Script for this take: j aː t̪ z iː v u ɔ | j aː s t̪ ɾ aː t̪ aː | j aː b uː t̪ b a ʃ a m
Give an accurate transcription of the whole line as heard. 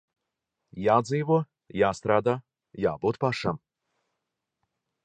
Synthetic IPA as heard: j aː d̪ z iː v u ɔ | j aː s t̪ ɾ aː d̪ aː | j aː b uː t̪ p a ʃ a m